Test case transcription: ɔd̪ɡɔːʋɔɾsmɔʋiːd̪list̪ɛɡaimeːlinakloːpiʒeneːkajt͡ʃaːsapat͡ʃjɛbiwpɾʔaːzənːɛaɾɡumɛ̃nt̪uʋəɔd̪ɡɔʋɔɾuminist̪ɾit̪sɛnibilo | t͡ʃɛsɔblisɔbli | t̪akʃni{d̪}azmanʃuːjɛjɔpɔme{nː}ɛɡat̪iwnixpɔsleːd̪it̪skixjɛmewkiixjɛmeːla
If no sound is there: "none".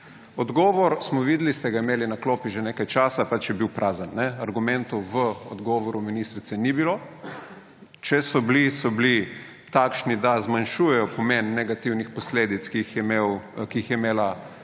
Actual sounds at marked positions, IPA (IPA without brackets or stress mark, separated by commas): d̪, nː